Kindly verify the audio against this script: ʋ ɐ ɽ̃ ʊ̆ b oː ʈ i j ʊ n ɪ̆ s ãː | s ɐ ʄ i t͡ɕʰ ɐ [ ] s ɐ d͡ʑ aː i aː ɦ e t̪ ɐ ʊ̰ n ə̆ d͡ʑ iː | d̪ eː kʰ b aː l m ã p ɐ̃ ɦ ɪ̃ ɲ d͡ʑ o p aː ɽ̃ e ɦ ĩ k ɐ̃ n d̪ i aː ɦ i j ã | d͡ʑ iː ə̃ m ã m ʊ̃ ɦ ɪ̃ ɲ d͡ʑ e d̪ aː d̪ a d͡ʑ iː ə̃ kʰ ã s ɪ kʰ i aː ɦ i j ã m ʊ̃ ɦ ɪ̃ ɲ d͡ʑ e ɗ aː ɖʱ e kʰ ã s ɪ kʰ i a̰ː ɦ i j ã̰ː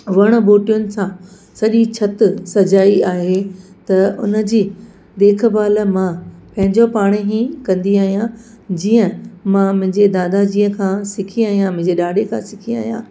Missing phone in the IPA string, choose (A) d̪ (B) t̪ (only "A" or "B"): B